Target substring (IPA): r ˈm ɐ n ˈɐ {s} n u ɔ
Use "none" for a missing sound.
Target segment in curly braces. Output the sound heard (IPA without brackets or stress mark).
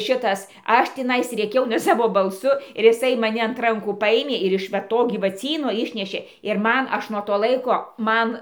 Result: ʃ